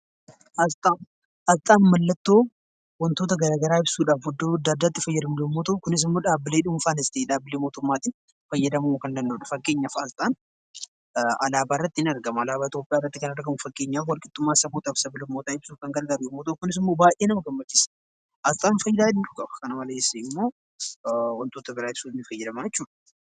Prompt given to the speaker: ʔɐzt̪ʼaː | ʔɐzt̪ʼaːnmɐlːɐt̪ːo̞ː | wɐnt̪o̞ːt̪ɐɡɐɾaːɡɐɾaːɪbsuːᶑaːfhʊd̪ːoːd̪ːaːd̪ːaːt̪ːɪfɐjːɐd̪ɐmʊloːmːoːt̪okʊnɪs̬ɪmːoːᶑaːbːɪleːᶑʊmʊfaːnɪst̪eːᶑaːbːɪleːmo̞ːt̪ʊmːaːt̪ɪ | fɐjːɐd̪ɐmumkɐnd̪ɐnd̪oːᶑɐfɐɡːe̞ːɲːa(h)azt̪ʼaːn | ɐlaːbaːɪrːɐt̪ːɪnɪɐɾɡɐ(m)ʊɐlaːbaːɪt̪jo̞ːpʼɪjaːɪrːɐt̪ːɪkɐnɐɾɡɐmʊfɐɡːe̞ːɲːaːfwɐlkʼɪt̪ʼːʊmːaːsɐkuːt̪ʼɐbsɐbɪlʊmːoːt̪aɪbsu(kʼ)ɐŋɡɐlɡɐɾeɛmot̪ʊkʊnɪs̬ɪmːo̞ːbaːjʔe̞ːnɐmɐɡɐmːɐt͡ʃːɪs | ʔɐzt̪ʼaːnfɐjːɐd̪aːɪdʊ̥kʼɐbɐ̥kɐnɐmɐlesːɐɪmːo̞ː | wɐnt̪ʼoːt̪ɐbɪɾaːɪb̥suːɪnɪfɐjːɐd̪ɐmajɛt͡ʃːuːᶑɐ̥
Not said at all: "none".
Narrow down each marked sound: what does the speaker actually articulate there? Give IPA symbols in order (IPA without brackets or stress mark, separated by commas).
f, m, k